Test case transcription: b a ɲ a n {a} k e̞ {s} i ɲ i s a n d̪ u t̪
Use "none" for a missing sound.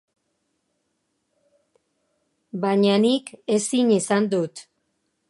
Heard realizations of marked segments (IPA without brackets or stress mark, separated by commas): i, s